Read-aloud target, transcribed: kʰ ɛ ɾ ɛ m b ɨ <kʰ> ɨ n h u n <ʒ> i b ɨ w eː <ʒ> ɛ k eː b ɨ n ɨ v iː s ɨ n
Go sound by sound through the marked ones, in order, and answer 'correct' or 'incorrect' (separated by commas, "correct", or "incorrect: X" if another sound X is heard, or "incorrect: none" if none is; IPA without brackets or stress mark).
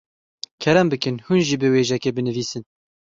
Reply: incorrect: k, correct, correct